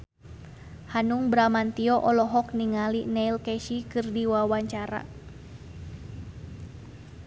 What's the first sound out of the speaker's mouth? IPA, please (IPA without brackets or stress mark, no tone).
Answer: h